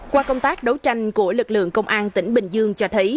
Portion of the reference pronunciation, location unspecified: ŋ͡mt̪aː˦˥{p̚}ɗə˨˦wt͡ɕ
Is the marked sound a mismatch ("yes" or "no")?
yes